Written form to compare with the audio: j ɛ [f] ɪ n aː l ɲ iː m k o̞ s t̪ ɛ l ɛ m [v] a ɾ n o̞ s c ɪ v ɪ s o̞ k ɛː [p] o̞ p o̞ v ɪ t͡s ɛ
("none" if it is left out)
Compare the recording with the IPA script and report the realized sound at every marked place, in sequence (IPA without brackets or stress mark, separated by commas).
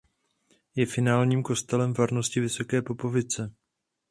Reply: f, v, p